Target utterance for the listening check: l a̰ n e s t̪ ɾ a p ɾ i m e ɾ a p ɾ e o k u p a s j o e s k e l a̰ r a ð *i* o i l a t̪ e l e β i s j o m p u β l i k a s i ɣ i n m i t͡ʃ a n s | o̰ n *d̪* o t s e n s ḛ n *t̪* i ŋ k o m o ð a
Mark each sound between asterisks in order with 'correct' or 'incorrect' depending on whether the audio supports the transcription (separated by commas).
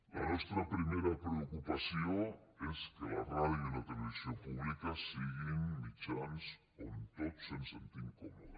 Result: incorrect, incorrect, correct